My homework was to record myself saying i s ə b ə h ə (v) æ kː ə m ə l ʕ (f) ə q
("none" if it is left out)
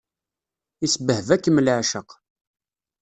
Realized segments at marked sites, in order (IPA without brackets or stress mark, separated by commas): v, ʃ